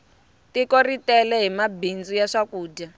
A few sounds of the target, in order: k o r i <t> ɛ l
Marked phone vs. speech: correct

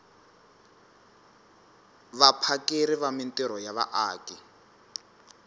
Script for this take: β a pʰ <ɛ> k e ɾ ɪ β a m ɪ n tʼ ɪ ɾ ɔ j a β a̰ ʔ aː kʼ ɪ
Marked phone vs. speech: incorrect: a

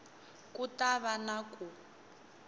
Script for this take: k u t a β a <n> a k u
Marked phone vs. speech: correct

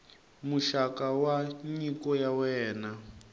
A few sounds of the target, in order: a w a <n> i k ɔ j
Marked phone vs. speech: incorrect: ɲ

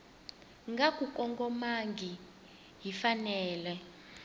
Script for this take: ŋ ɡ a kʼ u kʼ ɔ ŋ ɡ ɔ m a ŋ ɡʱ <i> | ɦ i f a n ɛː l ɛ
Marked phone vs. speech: correct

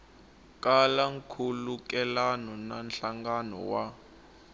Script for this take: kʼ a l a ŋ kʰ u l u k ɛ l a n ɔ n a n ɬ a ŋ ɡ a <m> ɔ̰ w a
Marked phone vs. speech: incorrect: n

